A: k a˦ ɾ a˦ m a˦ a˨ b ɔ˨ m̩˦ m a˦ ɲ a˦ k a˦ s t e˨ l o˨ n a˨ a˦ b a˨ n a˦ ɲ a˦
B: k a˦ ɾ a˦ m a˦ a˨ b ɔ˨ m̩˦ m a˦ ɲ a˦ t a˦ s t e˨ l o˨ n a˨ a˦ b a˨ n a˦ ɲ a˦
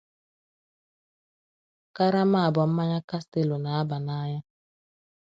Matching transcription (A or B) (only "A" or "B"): A